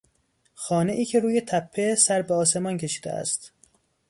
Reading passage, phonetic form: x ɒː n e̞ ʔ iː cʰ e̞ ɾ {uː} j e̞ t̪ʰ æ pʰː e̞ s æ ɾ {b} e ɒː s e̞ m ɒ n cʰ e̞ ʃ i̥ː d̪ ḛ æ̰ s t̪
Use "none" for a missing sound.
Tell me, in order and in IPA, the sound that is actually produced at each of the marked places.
uː, b

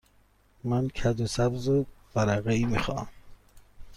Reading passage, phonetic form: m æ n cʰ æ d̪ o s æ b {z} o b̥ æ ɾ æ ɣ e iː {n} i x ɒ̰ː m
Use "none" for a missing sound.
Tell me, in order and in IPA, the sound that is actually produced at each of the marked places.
z, m

